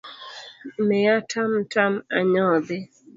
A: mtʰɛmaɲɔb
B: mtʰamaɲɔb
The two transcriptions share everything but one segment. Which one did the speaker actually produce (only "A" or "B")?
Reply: B